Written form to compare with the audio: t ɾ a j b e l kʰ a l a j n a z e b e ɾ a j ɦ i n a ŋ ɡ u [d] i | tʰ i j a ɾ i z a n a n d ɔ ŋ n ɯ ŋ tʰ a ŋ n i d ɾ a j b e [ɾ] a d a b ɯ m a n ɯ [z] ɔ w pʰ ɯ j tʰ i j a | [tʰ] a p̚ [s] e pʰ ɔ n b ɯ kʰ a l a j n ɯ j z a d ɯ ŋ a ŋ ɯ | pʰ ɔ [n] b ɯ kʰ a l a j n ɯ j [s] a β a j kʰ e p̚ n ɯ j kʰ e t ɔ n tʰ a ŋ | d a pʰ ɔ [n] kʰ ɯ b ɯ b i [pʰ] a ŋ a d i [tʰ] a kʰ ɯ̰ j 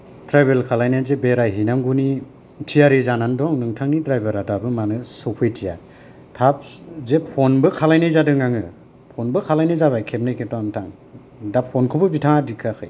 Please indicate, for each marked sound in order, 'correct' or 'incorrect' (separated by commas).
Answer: incorrect, correct, incorrect, correct, incorrect, correct, incorrect, correct, incorrect, incorrect